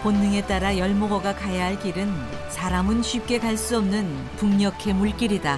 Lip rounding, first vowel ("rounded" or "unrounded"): rounded